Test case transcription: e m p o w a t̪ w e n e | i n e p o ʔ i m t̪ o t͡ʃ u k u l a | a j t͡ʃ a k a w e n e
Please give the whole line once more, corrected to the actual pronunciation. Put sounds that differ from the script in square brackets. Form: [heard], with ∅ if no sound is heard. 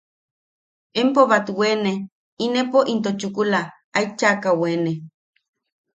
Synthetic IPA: e m p o [β] a t̪ w e n e | i n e p o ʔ i [n] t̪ o t͡ʃ u k u l a | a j t͡ʃ a k a w e n e

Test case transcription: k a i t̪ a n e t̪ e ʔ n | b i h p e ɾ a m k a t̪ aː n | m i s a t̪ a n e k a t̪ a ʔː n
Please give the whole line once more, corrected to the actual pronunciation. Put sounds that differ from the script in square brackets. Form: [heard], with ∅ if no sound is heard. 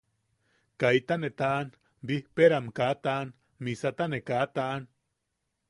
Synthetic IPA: k a i t̪ a n e t̪ [a] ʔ n | b i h p e ɾ a m k a t̪ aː n | m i s a t̪ a n e k a t̪ a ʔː n

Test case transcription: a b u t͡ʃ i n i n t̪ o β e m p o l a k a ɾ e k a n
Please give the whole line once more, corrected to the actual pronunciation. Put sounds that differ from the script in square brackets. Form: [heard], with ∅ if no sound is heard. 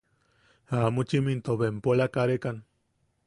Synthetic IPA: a [m] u t͡ʃ i [m] i n t̪ o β e m p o l a k a ɾ e k a n

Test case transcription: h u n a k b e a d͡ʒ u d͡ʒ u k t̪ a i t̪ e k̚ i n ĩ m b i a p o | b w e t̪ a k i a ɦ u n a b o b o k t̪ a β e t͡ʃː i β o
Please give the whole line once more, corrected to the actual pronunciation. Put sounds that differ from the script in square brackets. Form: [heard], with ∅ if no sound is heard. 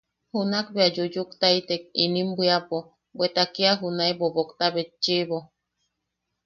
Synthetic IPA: h u n a k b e a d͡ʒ u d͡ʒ u k t̪ a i t̪ e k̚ i n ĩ m b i a p o | b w e t̪ a k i a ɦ u n a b o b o k t̪ a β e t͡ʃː i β o

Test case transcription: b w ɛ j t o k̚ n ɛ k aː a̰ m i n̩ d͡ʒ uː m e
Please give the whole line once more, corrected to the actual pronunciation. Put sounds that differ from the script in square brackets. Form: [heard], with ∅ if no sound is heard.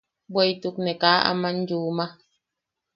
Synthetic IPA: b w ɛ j t [u] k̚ n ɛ k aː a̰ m [a] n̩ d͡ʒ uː m [a]

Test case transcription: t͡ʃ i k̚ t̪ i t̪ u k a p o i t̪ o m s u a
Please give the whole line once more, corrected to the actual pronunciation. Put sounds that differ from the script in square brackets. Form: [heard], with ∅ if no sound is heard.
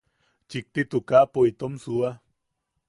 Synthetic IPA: t͡ʃ i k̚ t̪ i t̪ u k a p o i t̪ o m s u a

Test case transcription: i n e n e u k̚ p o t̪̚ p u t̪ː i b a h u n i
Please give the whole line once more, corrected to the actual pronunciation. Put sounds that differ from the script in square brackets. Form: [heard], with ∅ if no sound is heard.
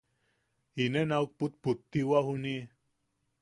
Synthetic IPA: i n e n [a] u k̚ p [u] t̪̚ p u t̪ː i [w] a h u n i

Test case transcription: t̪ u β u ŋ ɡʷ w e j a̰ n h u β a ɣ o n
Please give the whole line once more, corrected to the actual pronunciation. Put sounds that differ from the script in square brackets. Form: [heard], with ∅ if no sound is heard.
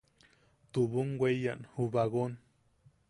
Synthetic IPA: t̪ u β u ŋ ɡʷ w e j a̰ n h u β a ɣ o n

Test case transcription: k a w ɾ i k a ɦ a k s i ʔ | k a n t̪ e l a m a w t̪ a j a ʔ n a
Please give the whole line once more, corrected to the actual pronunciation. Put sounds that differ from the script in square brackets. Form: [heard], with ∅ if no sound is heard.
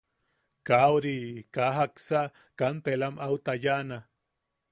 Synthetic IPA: k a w ɾ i k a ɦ a k s [a] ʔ | k a n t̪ e l a m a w t̪ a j a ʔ n a

